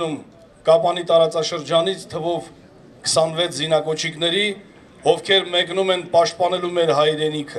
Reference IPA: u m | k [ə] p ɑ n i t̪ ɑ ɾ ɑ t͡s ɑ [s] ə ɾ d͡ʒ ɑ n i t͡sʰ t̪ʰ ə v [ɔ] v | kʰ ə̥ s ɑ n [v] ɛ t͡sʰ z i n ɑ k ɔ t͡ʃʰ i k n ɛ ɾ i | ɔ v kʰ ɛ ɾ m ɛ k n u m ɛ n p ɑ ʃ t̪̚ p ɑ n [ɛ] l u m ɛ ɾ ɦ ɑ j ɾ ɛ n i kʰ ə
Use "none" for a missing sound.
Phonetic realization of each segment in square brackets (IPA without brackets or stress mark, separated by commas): ɑ, ʃ, ɔ, v, ɛ